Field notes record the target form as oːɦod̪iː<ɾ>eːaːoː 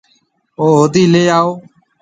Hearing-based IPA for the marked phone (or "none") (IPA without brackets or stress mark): l